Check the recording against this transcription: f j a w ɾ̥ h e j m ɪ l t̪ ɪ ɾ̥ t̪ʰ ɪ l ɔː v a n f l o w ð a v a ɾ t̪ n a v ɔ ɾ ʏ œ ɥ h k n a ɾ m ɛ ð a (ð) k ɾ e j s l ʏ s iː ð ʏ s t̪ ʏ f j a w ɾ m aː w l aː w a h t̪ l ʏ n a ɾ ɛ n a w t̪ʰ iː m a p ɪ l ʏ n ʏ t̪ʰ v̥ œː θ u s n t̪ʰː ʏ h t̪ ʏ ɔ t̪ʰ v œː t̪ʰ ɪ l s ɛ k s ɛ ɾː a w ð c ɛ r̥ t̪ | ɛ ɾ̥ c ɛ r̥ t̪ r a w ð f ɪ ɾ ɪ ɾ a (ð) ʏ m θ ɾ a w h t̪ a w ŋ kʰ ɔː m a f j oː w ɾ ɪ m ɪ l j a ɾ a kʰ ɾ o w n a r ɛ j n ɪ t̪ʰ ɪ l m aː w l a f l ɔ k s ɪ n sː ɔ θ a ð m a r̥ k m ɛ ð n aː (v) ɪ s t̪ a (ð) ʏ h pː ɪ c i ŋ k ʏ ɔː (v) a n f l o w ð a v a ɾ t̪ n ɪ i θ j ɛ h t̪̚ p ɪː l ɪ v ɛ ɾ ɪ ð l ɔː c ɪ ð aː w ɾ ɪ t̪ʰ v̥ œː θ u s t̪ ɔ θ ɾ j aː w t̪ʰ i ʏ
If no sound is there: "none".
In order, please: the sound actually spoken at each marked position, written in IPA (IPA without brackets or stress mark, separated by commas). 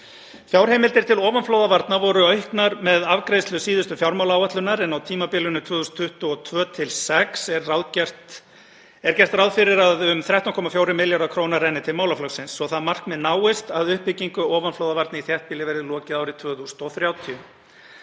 v, ð, w, ð, v